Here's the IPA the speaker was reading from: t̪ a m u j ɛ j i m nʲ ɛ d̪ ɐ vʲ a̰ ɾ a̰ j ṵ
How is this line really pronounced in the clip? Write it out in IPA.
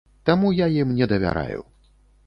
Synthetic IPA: t̪ a m u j a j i m nʲ ɛ d̪ ɐ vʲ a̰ ɾ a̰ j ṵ